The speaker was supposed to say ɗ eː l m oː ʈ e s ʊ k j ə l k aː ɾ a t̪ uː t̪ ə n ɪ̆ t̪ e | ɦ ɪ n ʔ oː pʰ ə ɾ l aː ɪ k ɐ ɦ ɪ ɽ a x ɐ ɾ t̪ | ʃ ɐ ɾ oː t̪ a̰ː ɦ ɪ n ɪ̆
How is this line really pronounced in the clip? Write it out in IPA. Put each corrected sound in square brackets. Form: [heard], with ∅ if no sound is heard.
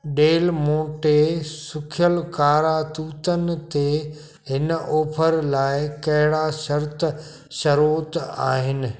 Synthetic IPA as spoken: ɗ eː l m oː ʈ e s ʊ [kʰ] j ə l k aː ɾ a t̪ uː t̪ ə n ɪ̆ t̪ e | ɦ ɪ n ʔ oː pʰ ə ɾ l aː ɪ k ɐ ɦ ɪ ɽ a [ʃ] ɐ ɾ t̪ | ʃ ɐ ɾ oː t̪ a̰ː ɦ ɪ n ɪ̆